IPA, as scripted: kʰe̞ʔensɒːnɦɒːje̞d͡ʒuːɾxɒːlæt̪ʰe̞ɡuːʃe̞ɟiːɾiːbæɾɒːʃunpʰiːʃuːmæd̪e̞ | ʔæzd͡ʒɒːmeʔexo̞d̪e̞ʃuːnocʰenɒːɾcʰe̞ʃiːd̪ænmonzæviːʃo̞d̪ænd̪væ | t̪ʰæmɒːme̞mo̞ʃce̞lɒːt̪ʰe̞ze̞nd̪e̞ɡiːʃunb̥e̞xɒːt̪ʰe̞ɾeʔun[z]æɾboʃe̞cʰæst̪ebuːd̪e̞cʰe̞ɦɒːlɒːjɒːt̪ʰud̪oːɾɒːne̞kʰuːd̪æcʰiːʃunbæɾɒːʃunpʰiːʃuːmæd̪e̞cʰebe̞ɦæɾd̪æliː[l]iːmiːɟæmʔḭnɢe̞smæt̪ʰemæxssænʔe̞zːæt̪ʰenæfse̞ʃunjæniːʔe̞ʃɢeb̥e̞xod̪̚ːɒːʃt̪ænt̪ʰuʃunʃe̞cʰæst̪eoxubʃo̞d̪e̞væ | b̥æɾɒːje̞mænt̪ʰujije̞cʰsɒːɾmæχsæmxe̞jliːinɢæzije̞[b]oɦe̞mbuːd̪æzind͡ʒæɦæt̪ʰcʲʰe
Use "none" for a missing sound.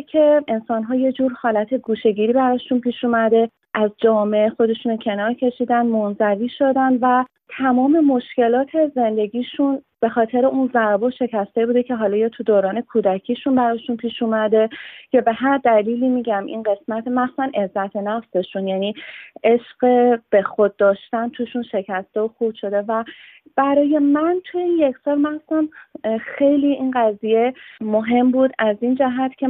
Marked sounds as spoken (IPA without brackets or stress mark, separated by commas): z, l, m